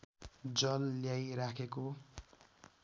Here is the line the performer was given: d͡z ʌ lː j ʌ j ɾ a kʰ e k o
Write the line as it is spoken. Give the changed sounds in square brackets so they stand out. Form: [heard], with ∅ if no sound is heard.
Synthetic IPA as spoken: d͡z ʌ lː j [a] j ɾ a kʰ e k o